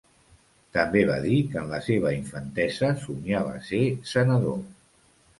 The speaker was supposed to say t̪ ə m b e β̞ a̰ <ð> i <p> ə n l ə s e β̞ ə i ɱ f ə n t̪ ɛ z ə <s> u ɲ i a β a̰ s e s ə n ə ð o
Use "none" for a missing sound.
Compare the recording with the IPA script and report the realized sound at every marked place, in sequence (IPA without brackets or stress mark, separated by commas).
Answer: ð, k, s